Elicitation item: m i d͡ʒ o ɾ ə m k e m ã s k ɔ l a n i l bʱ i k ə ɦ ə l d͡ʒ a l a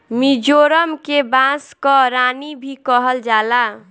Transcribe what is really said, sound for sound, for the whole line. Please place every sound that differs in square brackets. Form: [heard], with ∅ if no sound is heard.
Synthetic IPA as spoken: m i d͡ʒ o ɾ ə m k e [b] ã s k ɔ [ɾ] a n i [∅] bʱ i k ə ɦ ə l d͡ʒ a l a